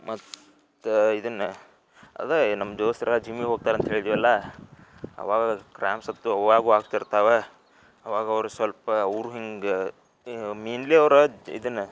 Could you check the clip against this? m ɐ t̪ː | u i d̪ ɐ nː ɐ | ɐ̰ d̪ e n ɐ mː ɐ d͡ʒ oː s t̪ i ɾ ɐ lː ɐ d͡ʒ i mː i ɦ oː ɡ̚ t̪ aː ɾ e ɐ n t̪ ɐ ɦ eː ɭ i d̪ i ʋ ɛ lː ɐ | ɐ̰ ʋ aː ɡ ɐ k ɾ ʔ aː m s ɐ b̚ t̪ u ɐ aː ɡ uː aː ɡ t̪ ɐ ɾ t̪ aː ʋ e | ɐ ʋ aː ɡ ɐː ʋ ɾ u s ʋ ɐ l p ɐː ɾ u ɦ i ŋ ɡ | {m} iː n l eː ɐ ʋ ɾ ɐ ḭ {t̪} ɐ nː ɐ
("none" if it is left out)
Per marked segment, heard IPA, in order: m, d̪

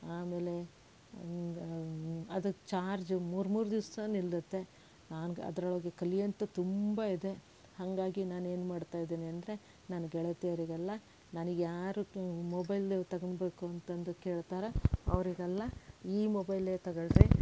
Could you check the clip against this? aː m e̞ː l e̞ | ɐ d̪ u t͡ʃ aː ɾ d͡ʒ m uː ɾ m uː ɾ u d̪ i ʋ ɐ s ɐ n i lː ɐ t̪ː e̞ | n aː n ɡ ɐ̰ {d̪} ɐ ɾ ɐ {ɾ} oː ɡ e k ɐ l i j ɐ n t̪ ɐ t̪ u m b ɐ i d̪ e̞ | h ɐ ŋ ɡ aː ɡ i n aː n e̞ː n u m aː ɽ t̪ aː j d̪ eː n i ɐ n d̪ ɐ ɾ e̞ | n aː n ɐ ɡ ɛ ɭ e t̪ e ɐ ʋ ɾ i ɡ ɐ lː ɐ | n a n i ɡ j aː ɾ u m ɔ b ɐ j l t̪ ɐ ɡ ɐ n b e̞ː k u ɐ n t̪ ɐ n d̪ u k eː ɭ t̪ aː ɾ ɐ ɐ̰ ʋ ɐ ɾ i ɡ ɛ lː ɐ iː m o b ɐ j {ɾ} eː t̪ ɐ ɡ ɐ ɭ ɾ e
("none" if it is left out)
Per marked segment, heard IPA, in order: d̪, ɭ, l

